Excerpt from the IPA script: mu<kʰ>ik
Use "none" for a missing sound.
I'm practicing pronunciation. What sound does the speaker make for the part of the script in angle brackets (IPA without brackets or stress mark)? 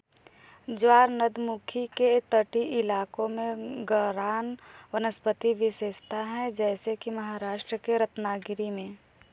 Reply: kʰ